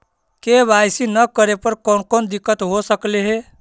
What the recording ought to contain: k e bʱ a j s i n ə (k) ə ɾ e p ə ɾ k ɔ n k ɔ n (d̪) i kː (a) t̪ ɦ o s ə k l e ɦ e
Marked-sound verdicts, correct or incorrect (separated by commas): correct, correct, incorrect